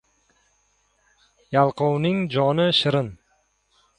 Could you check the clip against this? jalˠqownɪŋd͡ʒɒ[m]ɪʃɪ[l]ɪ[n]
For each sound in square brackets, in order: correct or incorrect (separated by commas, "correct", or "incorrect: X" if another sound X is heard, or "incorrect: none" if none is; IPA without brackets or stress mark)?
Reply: incorrect: n, incorrect: ɾ, correct